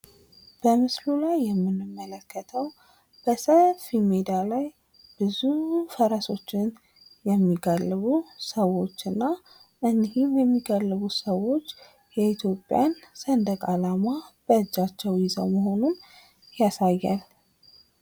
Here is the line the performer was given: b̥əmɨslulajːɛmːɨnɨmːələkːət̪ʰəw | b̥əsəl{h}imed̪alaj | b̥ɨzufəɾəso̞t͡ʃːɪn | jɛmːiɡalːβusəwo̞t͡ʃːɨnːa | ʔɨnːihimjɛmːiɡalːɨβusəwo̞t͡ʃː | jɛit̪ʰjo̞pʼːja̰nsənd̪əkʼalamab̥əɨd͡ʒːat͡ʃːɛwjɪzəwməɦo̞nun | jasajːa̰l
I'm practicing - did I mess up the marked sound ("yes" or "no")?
yes